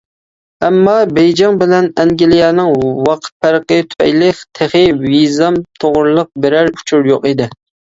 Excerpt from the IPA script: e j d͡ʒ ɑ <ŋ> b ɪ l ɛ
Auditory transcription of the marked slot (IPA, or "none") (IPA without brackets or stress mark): ŋ